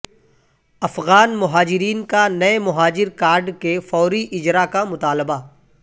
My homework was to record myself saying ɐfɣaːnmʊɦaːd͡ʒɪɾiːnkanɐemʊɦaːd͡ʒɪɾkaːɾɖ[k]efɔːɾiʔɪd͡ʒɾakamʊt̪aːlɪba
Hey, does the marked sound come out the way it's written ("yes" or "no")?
yes